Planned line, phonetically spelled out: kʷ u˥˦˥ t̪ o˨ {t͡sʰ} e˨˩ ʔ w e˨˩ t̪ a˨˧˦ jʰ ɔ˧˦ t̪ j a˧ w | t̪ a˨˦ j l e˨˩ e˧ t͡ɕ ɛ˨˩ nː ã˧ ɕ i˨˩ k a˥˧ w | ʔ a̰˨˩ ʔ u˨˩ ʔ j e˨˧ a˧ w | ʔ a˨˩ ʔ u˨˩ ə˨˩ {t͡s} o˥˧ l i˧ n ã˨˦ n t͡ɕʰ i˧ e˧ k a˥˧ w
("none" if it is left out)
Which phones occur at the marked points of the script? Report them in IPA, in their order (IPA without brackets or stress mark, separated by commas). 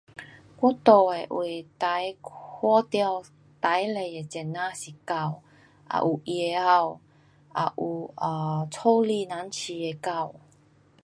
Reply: none, t͡sʰ